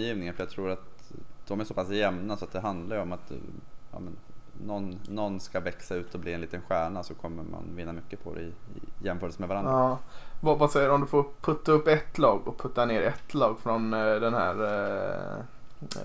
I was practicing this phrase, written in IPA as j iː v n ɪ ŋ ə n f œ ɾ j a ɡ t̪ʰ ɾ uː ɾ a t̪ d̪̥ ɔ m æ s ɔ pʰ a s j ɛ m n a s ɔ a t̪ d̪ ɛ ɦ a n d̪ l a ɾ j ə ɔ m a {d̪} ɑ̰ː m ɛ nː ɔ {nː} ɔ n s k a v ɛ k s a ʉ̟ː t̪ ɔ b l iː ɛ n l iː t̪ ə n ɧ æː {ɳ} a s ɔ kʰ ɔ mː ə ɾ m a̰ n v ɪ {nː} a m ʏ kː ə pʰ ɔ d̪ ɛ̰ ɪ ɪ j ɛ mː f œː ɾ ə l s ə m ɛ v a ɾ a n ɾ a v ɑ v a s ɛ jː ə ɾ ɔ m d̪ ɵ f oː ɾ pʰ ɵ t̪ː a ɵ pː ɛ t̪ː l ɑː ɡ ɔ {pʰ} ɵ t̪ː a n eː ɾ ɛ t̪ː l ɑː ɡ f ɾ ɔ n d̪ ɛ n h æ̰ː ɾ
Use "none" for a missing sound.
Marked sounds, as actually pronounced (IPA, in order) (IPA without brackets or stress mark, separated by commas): t̪, nː, ɳ, nː, pʰ